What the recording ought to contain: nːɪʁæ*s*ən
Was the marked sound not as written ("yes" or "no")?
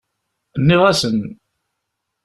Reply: no